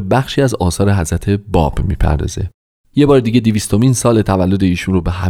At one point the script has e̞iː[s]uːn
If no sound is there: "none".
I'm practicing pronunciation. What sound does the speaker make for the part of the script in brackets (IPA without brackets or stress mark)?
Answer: ʃ